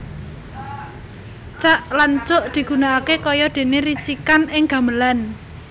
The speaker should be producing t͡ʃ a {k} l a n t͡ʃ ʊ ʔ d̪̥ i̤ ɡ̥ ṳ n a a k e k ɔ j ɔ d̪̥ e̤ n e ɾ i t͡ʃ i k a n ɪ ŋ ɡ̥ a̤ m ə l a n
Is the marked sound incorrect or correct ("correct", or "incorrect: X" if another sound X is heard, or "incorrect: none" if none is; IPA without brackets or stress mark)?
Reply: incorrect: ʔ